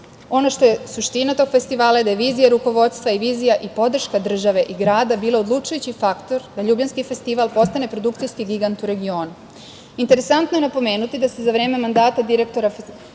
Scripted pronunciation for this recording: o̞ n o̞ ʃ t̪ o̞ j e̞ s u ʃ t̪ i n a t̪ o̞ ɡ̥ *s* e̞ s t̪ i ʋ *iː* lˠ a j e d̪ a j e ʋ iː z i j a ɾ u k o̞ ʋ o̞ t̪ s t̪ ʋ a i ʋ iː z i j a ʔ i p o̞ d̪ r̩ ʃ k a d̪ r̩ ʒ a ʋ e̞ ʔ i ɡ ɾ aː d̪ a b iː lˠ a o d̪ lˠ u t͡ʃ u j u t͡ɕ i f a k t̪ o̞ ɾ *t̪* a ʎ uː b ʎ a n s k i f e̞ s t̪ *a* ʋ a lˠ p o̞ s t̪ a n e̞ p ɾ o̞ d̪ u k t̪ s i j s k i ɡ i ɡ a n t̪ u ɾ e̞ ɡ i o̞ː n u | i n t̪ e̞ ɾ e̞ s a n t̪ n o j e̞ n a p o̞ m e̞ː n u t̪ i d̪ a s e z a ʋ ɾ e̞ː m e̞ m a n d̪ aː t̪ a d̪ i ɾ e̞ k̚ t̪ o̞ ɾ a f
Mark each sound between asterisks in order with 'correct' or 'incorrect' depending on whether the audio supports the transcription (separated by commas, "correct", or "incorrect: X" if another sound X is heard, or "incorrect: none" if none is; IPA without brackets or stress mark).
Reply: incorrect: f, incorrect: aː, incorrect: d̪, incorrect: i